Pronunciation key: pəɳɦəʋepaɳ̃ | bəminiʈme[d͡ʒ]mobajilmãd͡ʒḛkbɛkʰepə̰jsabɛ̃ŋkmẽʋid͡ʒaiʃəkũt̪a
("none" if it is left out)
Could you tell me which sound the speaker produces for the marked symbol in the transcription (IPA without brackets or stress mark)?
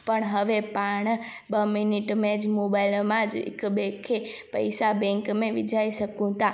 d͡ʒ